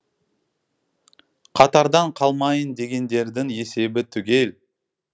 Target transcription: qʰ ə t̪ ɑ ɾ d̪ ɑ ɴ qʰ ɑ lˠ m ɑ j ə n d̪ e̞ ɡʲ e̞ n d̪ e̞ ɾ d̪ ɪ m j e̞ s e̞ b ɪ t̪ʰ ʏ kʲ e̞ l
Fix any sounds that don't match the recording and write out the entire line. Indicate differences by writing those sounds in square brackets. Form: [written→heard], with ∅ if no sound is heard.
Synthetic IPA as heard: qʰ [ə→ɑ] t̪ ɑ ɾ d̪ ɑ ɴ qʰ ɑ lˠ m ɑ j ə n d̪ e̞ ɡʲ e̞ n d̪ e̞ ɾ d̪ ɪ [m→ŋ] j e̞ s e̞ b ɪ t̪ʰ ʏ [kʲ→ɡʲ] e̞ l